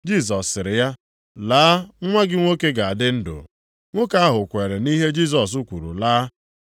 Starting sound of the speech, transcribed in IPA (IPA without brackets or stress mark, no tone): d͡ʒ